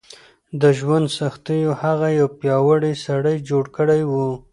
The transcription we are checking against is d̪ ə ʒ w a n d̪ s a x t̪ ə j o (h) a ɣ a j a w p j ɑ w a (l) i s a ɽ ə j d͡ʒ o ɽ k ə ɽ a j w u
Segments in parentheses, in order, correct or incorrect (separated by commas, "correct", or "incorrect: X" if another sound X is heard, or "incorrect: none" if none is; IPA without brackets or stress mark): correct, incorrect: ɽ